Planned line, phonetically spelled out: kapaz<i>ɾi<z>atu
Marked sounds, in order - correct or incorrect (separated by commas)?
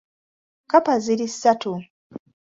correct, incorrect